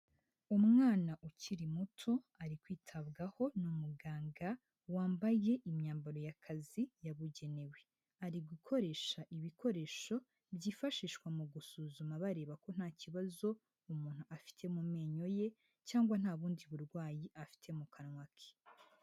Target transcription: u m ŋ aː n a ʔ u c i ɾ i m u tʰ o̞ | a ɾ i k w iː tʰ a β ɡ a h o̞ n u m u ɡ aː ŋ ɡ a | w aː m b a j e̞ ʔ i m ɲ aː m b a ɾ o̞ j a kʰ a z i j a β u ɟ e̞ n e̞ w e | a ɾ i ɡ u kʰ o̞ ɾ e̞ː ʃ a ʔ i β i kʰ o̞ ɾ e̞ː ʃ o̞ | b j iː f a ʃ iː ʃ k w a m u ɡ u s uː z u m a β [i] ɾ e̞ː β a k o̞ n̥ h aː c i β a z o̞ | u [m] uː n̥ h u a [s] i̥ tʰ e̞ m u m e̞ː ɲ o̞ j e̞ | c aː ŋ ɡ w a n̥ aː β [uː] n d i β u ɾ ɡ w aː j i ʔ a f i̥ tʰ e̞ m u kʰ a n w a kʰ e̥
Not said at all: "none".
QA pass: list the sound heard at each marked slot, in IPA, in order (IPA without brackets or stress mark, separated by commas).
a, m, f, uː